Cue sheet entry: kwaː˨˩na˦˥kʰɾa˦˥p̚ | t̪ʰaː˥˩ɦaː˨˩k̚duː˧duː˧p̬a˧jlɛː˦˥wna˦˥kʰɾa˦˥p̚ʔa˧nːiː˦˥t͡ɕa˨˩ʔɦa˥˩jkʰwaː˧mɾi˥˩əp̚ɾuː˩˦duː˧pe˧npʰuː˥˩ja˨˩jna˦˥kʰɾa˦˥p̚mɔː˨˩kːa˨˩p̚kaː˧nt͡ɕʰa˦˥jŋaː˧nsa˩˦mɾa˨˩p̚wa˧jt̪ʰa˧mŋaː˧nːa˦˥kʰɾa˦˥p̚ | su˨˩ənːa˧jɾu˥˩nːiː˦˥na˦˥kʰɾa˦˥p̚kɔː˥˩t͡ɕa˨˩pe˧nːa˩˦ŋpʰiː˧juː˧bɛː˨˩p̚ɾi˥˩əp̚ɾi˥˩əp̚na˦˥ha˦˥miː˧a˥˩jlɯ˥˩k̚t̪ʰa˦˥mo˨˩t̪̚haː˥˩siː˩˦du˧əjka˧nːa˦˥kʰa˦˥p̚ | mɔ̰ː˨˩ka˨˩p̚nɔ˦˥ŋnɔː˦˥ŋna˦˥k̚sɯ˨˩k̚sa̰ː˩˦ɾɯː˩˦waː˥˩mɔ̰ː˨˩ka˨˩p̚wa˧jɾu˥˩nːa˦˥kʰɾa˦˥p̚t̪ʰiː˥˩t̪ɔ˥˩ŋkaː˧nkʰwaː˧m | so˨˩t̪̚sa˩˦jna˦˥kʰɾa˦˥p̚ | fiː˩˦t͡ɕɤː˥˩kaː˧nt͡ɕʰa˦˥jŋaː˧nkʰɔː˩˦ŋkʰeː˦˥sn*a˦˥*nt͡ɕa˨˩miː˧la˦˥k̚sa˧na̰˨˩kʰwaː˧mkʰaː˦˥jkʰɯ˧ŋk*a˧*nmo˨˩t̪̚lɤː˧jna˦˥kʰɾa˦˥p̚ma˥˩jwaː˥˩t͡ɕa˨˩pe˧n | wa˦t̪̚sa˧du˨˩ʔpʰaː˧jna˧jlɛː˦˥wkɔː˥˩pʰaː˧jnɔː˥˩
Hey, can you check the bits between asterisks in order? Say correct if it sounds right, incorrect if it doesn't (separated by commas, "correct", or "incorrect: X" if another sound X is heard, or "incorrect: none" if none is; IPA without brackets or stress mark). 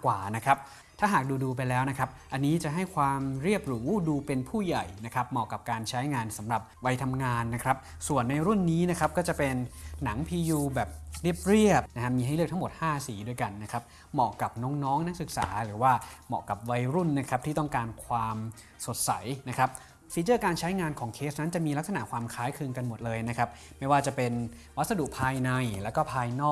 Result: correct, correct